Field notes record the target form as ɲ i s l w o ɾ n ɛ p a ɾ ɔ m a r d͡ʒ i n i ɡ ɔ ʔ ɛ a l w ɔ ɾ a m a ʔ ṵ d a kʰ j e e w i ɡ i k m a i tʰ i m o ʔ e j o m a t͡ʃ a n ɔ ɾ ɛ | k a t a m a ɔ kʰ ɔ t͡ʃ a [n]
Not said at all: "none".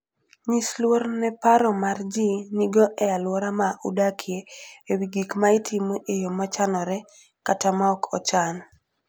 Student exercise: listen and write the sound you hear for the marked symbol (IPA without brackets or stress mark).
n